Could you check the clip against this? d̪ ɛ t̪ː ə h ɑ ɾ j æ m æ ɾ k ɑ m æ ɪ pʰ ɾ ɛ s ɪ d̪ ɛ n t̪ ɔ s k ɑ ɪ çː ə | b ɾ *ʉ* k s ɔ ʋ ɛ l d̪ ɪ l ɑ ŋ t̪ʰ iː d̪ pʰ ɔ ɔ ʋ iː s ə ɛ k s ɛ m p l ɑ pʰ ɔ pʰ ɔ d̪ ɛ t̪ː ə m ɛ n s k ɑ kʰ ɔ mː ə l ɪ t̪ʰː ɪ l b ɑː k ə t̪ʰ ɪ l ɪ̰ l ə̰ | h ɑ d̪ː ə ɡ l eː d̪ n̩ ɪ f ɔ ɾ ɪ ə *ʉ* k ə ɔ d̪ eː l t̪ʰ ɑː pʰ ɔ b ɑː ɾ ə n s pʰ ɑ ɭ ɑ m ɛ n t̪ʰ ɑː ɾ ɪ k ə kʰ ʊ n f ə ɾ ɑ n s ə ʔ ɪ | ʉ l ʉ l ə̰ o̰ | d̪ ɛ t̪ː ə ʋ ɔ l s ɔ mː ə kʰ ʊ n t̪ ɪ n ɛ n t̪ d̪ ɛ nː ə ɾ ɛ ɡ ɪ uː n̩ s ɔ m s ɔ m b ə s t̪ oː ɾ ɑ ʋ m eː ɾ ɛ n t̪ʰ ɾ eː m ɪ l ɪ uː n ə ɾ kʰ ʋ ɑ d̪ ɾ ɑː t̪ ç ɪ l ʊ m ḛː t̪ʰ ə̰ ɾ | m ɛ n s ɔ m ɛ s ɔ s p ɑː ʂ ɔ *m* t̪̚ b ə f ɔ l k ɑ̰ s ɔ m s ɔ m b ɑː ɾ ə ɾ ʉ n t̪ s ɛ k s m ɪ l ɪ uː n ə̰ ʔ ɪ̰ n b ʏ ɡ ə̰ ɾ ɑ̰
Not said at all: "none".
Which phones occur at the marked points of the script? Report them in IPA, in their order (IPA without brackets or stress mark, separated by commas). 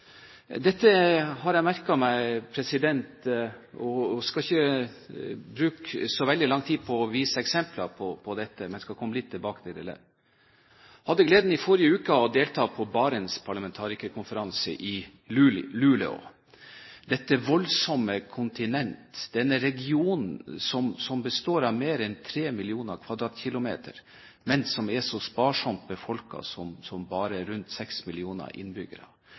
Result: ʉː, ʉː, m